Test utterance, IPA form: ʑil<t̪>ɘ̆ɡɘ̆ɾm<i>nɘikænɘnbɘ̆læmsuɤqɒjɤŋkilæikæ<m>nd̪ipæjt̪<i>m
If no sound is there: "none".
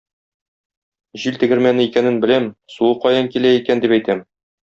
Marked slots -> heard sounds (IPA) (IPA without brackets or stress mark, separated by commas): t̪, æ, none, æ